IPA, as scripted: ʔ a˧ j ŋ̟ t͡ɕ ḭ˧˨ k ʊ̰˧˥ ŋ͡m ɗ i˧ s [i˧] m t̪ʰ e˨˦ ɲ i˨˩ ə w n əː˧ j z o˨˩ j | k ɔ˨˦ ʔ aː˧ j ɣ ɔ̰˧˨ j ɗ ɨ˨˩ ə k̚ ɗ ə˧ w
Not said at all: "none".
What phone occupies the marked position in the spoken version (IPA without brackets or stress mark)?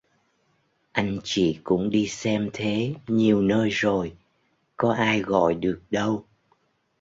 ɛ˧